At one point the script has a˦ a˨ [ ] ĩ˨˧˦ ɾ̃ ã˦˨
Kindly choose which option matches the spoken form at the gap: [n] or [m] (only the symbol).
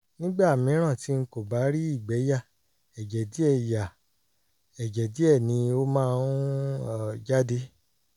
m